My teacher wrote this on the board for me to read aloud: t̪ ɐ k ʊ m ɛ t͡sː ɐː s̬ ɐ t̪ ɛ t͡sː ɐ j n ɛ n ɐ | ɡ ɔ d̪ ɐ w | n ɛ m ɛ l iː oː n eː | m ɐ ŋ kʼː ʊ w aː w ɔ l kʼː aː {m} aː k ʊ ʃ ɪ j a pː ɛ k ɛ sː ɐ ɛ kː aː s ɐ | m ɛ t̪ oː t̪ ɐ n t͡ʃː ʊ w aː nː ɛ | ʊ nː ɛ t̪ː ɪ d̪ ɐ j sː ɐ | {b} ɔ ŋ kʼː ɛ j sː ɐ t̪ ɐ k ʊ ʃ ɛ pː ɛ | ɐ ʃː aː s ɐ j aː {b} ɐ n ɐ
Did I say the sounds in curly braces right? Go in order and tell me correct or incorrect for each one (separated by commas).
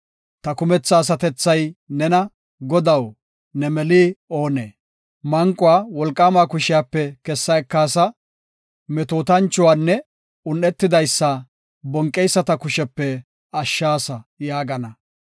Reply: correct, correct, incorrect